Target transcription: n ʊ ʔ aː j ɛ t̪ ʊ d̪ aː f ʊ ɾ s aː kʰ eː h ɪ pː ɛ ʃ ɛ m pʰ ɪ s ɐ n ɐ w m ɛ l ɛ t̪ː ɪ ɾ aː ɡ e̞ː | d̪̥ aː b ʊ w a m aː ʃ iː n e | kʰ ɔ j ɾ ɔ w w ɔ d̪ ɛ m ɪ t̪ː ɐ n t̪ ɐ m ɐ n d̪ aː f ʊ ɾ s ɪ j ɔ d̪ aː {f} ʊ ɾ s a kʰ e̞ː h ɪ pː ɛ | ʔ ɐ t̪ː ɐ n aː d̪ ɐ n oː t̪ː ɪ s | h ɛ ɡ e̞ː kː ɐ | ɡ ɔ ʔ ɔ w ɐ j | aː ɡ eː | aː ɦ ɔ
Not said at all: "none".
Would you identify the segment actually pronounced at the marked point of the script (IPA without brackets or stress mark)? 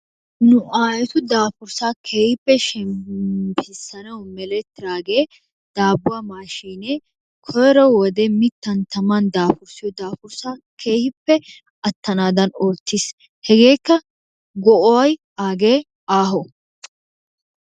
f